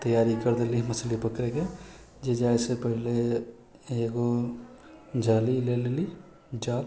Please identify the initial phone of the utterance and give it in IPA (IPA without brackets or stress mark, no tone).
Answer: t̪